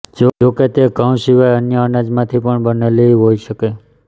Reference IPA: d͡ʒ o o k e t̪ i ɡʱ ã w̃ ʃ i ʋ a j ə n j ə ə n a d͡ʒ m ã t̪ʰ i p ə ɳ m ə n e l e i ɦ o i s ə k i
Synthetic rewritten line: d͡ʒ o o k e t̪ e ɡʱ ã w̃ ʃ i ʋ a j ə n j ə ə n a d͡ʒ m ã t̪ʰ i p ə ɳ b ə n e l e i ɦ o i ʃ ə k e